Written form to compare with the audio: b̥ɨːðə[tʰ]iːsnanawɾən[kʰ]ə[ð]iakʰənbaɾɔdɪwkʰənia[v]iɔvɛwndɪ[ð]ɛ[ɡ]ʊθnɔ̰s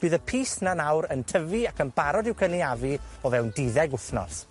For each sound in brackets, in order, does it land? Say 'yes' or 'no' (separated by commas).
no, no, no, yes, yes, yes